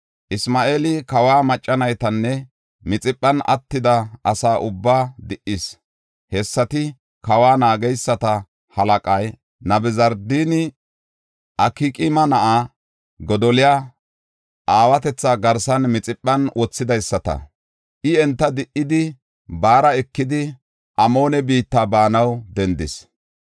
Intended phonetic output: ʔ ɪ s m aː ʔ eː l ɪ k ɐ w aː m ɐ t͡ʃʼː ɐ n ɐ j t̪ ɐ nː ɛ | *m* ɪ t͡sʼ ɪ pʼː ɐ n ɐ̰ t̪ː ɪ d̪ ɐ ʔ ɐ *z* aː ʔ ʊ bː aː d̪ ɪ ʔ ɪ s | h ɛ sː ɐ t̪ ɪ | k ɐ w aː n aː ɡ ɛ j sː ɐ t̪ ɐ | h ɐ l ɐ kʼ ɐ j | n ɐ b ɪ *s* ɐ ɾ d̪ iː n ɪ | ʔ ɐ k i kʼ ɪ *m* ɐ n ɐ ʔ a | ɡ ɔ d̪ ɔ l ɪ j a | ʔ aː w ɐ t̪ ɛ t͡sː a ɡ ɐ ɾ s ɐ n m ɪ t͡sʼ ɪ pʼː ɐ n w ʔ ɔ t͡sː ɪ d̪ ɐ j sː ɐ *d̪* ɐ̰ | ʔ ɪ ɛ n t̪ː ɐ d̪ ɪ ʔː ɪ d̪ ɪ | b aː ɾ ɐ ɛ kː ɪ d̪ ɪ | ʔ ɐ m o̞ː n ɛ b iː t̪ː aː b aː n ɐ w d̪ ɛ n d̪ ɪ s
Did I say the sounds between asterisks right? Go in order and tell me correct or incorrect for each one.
correct, incorrect, incorrect, correct, incorrect

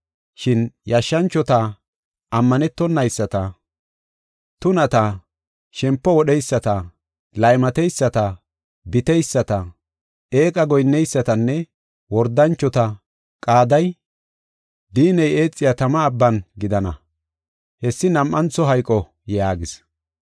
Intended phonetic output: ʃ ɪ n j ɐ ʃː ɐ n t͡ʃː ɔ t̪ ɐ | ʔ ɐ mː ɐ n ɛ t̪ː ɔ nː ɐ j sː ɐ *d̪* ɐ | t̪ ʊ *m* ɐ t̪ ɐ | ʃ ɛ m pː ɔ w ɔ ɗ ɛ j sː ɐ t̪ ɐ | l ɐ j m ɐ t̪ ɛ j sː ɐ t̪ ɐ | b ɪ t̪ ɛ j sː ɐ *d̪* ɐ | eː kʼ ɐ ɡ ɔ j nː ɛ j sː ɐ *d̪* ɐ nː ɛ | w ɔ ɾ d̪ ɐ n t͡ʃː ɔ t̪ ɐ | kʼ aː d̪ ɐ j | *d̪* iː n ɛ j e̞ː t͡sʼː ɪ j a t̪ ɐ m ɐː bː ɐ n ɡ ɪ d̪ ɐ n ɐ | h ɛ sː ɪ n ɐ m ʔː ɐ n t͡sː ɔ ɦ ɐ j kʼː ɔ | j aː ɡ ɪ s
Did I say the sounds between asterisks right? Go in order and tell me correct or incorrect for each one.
incorrect, incorrect, incorrect, incorrect, correct

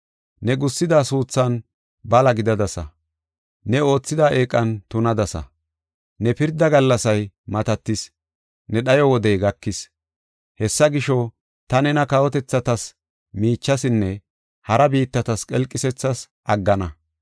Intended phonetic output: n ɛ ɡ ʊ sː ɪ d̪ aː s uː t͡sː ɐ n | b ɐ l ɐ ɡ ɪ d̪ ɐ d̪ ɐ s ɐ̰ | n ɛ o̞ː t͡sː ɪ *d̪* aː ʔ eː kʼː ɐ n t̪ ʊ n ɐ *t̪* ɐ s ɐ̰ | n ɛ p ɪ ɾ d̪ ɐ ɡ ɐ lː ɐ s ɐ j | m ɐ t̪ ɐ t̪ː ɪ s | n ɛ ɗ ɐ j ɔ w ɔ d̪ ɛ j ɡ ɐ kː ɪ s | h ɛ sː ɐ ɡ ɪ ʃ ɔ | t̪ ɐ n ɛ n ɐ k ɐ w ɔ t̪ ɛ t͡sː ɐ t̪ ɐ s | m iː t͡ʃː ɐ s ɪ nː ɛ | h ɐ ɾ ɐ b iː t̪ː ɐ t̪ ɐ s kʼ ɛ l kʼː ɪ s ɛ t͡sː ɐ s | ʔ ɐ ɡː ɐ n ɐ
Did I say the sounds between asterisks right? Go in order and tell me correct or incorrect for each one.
correct, incorrect

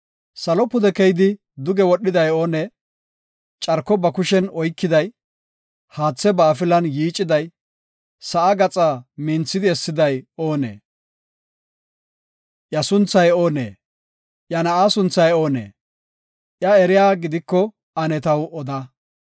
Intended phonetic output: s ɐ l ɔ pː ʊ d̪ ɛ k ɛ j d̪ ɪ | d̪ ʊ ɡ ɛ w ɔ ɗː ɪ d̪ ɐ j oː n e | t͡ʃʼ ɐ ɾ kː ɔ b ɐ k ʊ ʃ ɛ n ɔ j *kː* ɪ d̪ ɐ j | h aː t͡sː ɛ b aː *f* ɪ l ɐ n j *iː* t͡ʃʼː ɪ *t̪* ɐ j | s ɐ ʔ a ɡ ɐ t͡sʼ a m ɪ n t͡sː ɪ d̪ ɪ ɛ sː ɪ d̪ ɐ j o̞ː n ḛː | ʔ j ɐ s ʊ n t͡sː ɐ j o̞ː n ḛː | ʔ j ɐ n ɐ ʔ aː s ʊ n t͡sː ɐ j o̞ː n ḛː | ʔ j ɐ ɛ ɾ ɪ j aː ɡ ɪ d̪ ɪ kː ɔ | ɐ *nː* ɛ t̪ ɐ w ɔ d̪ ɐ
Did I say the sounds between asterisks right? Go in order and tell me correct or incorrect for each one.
correct, correct, correct, incorrect, incorrect

